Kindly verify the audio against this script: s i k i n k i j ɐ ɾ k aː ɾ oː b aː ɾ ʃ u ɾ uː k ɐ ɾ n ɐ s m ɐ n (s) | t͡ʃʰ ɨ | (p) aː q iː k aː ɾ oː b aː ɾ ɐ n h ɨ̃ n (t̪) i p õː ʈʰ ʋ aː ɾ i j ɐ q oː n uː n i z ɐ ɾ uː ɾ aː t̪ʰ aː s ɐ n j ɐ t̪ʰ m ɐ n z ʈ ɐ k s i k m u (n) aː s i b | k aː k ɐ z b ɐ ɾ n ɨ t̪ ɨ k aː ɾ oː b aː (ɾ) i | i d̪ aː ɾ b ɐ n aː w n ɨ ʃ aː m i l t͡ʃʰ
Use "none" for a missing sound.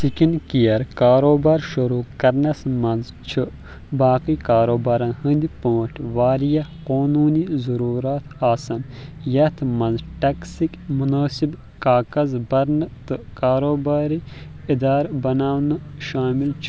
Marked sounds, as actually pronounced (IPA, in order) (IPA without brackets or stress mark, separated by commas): z, b, d̪, n, ɾ